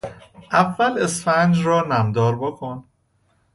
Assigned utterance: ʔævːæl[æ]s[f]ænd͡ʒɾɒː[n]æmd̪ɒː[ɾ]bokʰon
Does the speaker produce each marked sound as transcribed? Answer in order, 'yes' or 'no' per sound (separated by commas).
no, yes, yes, yes